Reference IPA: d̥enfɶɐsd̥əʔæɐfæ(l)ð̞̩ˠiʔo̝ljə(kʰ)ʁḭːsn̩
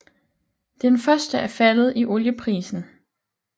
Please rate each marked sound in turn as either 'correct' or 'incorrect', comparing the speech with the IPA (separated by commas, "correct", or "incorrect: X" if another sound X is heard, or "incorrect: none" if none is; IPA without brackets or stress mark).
correct, incorrect: pʰ